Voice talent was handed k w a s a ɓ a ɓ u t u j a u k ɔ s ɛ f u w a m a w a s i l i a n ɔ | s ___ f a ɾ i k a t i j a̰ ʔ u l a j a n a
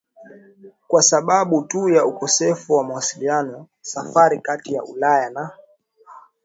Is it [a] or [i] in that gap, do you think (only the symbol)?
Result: a